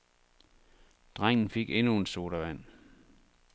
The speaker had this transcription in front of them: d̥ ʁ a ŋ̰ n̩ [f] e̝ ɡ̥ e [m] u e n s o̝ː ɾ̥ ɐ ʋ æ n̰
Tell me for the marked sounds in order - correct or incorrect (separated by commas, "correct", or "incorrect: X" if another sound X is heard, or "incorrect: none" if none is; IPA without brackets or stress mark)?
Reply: correct, incorrect: n